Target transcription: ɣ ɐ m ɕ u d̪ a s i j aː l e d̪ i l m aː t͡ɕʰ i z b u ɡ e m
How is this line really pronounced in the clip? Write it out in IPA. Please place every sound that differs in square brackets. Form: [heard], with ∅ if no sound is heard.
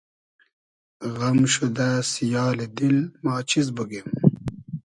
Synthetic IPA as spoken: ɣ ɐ m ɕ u d̪ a s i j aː l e d̪ i l m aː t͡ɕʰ i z b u ɡ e m